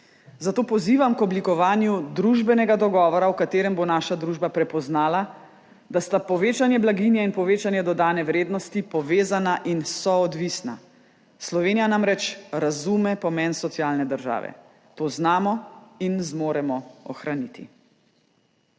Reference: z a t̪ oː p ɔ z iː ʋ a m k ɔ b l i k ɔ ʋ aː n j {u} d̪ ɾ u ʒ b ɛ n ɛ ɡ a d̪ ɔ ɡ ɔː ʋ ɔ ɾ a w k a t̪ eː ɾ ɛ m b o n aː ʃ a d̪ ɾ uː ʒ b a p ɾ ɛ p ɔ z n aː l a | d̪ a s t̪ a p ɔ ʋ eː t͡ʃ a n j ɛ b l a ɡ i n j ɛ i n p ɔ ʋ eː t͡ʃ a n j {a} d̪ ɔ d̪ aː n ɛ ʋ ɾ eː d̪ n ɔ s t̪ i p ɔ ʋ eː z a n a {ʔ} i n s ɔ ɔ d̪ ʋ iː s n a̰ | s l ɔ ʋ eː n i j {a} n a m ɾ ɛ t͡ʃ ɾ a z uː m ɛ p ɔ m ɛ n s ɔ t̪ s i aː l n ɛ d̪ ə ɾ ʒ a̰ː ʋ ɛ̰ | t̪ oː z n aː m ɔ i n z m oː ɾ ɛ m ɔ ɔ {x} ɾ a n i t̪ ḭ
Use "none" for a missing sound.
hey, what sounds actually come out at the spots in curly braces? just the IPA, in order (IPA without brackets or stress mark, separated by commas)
u, ɛ, ʔ, a, x